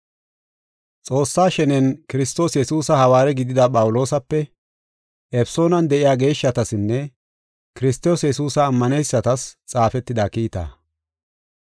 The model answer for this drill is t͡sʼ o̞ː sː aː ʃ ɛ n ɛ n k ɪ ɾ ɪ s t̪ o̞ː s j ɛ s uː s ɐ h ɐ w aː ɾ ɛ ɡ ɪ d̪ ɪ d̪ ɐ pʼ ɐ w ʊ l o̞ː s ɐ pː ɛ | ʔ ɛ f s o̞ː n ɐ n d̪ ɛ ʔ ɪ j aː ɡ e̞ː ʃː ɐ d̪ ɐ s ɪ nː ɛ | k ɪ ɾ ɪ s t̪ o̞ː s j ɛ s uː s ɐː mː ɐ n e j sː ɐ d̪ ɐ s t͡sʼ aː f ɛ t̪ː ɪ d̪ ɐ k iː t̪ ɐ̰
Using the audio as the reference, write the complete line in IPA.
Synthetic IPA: t͡sʼ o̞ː sː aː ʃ ɛ n ɛ n k ɪ ɾ ɪ s t̪ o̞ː s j ɛ s uː s ɐ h ɐ w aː ɾ ɛ ɡ ɪ d̪ ɪ d̪ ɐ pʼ ɐ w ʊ l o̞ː s ɐ pː ɛ | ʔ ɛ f s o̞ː n ɐ n d̪ ɛ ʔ ɪ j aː ɡ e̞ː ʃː ɐ t̪ ɐ s ɪ nː ɛ | k ɪ ɾ ɪ s t̪ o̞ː s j ɛ s uː s ɐː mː ɐ n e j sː ɐ t̪ ɐ s t͡sʼ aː f ɛ t̪ː ɪ d̪ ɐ k iː t̪ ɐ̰